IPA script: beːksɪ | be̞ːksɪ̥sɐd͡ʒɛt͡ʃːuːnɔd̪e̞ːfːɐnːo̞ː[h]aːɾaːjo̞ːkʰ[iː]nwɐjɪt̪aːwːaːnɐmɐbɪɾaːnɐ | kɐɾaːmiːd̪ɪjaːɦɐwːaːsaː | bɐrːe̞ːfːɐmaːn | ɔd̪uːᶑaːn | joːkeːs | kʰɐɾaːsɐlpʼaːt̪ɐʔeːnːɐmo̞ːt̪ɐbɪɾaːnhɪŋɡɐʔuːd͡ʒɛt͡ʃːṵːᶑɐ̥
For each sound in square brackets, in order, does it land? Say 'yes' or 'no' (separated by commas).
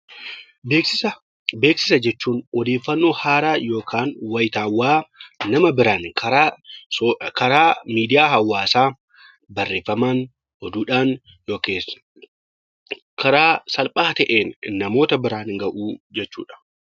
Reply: yes, no